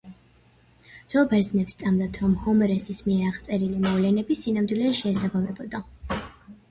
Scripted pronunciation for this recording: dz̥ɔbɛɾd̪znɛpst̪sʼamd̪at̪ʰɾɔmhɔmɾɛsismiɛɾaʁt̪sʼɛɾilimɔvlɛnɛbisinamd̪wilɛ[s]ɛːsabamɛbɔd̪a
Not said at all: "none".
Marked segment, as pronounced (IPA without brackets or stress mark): ʃ